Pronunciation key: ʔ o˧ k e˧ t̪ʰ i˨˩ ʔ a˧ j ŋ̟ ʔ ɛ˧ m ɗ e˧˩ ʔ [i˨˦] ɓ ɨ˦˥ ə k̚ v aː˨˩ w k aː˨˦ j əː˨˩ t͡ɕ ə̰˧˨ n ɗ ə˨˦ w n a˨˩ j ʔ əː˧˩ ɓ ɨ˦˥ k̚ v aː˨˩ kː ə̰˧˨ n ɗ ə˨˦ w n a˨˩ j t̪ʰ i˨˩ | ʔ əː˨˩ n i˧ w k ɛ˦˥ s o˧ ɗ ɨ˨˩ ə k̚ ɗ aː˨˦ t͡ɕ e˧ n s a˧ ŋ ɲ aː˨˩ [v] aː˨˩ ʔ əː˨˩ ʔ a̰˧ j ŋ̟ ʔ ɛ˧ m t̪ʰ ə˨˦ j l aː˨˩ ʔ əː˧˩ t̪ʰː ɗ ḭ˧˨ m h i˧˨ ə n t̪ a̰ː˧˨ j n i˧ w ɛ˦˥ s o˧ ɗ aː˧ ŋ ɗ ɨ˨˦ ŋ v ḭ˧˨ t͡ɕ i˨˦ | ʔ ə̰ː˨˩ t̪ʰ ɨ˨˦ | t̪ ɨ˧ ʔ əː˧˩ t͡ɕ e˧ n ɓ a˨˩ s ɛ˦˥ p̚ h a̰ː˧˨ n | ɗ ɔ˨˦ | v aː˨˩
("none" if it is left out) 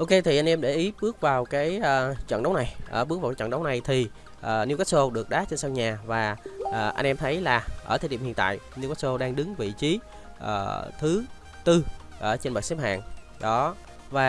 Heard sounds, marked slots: i˨˦, v

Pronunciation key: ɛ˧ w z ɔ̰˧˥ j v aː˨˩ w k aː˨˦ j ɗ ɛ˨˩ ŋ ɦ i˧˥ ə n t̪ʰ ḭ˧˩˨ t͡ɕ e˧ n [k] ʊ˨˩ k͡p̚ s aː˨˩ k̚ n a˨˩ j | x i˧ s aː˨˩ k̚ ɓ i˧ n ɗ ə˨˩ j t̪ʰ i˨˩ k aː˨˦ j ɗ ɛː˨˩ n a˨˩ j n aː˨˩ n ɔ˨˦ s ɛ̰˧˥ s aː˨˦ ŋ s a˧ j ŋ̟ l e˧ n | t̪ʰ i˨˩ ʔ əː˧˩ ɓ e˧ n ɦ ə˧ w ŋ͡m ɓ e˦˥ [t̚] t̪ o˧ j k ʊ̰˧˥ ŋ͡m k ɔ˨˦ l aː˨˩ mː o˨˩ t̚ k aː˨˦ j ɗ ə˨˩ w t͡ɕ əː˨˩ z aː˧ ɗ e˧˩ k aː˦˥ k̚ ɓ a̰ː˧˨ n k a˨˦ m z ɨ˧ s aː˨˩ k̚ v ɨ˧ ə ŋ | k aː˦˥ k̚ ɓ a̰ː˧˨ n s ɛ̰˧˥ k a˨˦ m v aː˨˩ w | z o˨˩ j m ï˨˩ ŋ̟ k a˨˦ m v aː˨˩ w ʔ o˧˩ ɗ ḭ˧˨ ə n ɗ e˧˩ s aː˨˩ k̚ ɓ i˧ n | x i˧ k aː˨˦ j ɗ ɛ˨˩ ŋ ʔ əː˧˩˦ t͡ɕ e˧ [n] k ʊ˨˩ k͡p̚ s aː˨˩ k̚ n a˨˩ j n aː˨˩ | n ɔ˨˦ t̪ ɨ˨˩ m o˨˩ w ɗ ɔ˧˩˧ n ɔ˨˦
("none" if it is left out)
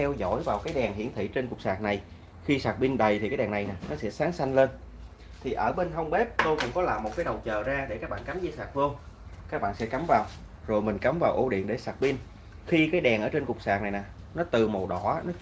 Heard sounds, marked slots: k, p̚, n

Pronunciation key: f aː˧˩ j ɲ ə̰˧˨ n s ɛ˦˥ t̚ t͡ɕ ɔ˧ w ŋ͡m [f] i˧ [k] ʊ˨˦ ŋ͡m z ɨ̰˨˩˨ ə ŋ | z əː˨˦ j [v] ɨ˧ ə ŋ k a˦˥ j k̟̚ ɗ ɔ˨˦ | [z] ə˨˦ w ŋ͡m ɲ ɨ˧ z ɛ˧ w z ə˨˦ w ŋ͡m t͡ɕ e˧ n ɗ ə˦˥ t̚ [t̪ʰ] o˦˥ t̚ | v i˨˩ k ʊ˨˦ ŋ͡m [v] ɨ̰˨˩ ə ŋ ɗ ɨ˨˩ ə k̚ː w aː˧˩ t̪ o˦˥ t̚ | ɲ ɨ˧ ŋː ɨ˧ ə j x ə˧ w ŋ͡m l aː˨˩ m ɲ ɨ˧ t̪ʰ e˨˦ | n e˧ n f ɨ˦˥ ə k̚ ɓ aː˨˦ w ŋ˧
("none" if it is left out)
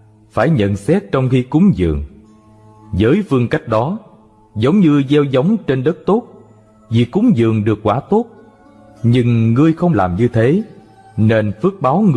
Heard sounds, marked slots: x, k, f, z, t̪, z

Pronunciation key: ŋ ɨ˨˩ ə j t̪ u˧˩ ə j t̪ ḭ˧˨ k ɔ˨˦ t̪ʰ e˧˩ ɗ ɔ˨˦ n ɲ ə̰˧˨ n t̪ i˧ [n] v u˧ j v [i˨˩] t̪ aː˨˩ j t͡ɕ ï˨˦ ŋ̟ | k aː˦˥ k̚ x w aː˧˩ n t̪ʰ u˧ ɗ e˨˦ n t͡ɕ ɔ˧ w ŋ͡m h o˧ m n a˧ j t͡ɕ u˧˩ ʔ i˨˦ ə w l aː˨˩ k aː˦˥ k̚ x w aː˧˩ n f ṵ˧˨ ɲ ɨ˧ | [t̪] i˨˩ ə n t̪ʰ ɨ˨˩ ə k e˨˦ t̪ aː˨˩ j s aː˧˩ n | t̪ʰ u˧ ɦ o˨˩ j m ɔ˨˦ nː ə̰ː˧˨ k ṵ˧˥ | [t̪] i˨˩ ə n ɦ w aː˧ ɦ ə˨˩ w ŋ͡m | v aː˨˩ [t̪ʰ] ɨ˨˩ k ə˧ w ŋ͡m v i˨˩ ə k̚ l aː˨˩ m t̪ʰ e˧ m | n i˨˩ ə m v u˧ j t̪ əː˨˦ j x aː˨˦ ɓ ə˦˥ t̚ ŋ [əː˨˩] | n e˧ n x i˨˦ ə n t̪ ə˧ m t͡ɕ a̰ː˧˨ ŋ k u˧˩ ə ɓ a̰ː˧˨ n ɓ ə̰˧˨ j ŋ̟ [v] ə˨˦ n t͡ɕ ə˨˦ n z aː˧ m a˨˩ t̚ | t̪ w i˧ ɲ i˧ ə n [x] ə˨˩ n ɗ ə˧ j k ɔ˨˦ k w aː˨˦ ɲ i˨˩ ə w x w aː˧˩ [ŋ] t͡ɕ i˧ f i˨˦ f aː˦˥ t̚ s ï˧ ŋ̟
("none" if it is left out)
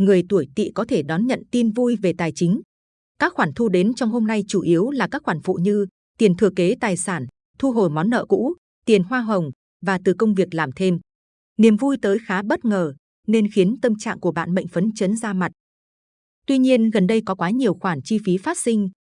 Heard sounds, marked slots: n, e˨˩, t̪, t̪, t̪, əː˨˩, f, ɣ, n

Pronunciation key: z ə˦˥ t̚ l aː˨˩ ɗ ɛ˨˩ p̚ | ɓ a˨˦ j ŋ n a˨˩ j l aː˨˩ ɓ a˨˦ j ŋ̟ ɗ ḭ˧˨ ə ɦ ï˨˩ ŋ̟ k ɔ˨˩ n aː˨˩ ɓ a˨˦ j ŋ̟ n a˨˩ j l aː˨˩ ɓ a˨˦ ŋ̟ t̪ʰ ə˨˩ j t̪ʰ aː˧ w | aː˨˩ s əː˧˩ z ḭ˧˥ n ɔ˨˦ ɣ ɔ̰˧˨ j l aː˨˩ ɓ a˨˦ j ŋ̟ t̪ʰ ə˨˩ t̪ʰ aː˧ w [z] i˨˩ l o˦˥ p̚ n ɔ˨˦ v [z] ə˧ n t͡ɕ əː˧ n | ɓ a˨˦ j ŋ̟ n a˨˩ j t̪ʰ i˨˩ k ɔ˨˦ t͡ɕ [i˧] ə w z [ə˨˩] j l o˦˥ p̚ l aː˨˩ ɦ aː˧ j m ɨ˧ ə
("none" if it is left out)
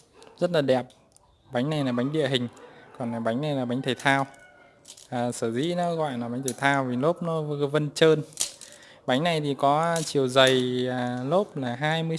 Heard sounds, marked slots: v, v, i˨˩, ə˨˩

